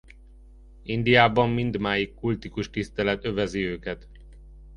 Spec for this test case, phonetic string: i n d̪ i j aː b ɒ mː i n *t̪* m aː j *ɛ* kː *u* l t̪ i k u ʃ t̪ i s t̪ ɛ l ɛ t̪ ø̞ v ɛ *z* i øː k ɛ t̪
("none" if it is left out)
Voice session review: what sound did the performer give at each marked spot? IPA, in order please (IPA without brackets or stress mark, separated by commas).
d̪, i, u, z